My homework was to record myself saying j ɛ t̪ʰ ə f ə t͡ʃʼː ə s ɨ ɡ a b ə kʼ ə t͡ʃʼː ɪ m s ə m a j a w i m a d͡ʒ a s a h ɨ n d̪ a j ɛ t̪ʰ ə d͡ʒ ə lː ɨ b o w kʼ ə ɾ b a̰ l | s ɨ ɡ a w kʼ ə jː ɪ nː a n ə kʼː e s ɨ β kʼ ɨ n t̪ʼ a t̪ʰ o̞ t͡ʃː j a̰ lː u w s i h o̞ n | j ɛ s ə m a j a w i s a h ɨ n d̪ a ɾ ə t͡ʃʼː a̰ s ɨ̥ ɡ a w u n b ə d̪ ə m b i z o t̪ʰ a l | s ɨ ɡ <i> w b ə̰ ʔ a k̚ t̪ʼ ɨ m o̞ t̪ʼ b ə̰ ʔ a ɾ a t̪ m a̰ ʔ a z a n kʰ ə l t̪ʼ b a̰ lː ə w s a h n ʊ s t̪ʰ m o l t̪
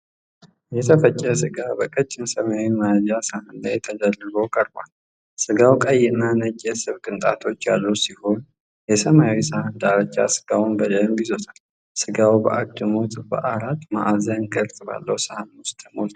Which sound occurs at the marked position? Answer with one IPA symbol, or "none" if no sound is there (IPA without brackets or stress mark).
a